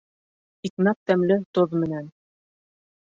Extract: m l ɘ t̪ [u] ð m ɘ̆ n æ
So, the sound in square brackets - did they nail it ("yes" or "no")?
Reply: no